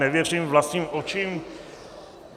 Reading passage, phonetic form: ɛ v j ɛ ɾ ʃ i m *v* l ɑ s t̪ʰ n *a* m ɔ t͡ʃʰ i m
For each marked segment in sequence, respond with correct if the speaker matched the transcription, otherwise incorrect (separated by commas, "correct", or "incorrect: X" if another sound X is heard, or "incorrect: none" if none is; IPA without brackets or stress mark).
correct, incorrect: i